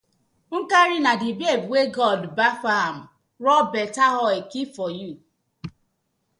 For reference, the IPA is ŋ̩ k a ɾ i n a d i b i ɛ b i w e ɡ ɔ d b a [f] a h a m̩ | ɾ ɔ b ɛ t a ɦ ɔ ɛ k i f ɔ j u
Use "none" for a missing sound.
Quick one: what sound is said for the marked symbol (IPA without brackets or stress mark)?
f